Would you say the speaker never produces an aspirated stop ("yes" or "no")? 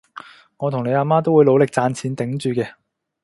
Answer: no